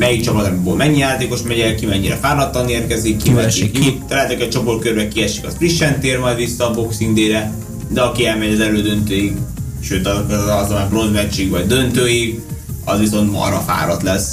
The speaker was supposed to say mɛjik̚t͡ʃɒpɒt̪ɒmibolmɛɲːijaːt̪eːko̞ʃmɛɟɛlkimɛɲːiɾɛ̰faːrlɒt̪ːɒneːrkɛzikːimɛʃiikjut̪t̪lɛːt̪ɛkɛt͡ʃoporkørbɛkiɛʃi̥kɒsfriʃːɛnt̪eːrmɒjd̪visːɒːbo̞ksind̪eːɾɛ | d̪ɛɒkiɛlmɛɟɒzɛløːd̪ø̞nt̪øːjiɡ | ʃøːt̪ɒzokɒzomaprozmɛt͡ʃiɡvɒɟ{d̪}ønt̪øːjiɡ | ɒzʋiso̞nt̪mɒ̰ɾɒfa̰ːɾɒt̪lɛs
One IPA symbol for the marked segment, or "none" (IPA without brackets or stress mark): d̪